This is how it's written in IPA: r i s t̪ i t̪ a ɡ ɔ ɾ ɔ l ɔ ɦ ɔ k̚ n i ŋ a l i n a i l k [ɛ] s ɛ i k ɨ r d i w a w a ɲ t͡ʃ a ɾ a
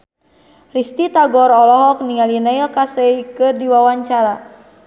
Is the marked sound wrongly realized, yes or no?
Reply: yes